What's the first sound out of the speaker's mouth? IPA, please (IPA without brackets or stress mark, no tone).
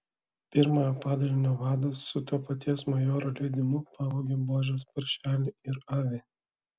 pʲ